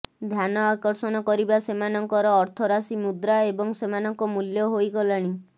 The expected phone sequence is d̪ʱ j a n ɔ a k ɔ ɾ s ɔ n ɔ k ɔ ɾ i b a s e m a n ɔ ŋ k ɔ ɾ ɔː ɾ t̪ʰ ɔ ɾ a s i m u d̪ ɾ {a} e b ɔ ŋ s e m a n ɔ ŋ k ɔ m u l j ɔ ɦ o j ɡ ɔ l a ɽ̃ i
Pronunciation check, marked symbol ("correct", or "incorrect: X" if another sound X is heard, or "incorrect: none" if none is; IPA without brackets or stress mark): correct